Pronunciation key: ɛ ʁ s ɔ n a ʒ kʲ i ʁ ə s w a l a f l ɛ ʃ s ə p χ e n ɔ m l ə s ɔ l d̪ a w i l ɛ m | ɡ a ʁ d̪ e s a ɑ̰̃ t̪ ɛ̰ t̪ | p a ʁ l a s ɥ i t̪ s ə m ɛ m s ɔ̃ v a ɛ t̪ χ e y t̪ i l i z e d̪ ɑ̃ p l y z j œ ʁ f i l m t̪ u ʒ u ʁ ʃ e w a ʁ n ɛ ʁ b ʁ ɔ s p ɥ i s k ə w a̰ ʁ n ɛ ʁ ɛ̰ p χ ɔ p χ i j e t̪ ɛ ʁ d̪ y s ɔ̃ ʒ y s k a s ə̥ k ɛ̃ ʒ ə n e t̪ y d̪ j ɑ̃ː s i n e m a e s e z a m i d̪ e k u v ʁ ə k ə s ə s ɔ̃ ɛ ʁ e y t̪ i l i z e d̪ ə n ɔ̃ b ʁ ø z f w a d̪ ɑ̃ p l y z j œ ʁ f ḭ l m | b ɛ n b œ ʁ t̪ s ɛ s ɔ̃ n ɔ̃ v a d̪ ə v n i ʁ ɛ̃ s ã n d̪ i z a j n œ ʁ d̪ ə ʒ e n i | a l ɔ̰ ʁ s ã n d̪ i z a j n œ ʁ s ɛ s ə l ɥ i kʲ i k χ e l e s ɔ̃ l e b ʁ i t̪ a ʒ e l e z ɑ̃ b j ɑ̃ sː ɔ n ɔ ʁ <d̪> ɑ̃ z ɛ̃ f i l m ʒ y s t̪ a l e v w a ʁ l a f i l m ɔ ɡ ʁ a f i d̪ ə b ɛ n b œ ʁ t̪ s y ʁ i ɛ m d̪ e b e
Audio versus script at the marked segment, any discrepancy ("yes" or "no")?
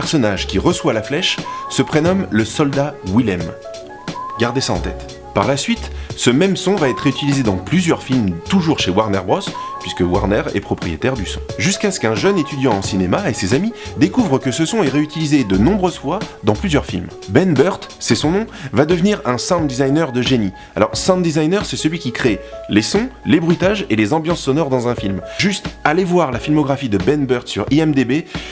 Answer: no